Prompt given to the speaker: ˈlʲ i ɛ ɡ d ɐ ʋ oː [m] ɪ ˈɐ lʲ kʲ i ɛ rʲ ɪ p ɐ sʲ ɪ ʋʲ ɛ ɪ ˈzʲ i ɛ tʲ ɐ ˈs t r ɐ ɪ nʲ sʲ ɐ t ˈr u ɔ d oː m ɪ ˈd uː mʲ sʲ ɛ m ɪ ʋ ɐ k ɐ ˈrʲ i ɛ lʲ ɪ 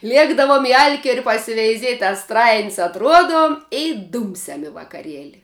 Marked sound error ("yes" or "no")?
no